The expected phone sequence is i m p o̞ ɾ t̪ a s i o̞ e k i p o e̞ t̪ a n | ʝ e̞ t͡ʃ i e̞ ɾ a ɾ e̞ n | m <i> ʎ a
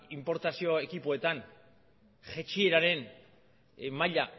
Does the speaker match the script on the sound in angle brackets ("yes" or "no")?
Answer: no